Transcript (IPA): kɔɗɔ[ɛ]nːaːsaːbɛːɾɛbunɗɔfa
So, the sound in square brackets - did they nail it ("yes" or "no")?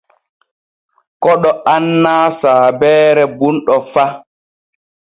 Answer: no